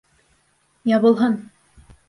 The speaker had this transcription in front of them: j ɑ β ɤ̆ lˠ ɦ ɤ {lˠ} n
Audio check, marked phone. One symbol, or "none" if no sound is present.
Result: none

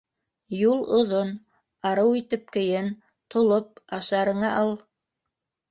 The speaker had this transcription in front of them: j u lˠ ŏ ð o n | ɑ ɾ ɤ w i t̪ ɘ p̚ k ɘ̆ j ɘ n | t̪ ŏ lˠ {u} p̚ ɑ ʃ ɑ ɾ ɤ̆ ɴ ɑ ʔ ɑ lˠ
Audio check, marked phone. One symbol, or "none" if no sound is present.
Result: o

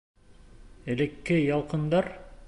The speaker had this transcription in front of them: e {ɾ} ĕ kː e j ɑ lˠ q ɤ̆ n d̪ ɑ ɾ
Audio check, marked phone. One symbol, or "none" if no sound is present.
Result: l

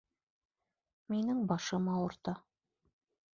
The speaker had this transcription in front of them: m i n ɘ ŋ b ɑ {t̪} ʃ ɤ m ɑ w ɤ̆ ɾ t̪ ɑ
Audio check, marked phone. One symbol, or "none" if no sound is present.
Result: none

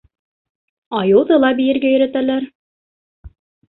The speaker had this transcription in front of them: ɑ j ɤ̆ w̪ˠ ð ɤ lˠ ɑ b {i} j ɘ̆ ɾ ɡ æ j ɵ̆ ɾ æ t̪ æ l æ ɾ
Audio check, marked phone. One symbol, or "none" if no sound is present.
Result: i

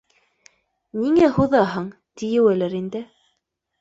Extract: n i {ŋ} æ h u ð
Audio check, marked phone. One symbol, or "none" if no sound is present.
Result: ŋ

